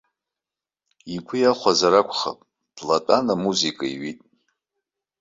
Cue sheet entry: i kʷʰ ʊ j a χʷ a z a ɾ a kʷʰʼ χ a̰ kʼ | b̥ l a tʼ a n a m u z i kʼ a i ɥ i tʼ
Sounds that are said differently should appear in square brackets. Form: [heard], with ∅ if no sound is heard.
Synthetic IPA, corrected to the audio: i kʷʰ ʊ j a χʷ a z a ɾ a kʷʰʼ χ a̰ [pʼ] | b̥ l a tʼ a n a m u z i kʼ a i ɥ i tʼ